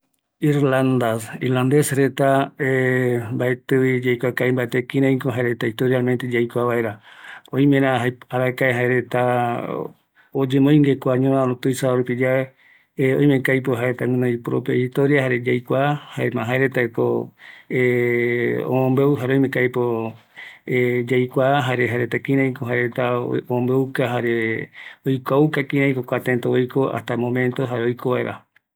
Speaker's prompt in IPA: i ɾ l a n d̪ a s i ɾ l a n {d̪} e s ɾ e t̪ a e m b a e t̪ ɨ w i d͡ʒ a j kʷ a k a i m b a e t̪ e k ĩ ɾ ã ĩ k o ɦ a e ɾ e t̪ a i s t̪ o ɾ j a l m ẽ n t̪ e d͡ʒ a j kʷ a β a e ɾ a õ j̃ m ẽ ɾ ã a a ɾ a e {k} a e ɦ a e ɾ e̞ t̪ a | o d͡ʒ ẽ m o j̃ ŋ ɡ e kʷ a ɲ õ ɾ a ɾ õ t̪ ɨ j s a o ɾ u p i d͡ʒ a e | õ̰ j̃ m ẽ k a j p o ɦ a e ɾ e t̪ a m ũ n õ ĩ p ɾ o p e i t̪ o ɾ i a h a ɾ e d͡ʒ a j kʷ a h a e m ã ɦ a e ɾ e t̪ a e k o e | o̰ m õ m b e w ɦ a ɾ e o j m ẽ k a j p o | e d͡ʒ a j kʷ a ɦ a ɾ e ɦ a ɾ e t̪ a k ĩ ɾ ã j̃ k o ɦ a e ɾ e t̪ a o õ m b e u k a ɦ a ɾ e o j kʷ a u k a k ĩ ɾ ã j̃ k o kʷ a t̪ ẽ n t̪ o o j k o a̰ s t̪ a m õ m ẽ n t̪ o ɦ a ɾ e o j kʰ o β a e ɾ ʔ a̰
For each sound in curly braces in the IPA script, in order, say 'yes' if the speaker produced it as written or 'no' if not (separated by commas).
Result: yes, yes